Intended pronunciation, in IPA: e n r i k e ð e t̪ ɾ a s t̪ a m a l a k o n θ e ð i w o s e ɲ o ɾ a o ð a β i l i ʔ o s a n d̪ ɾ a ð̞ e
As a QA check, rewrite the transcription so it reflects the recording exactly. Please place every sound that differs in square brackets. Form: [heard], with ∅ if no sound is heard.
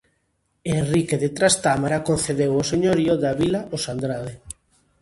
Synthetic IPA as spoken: e n r i k e ð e t̪ ɾ a s t̪ a m a [ɾ] a k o n θ e ð [e] w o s e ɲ o ɾ [i] o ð a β i l [a] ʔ o s a n d̪ ɾ a ð̞ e